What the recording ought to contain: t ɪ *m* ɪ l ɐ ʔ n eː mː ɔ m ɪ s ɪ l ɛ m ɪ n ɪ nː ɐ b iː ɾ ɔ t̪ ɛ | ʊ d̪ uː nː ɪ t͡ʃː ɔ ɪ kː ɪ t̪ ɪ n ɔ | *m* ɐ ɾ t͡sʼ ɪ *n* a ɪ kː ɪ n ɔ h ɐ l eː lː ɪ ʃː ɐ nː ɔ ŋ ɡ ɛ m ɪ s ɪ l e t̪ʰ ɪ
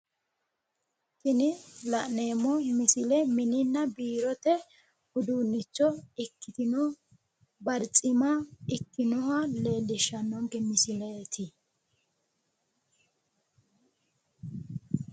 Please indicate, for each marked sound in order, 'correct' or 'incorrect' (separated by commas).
incorrect, incorrect, incorrect